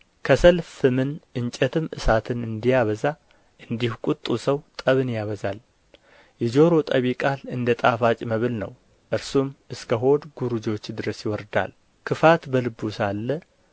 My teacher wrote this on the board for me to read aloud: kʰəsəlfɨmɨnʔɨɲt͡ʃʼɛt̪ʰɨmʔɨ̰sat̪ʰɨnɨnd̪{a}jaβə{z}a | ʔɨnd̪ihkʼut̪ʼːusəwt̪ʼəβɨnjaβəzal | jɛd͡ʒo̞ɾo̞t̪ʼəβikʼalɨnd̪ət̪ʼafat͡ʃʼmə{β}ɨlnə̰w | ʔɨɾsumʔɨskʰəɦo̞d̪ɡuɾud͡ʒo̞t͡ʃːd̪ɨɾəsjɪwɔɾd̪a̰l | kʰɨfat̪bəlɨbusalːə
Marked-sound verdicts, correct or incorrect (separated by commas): incorrect, correct, correct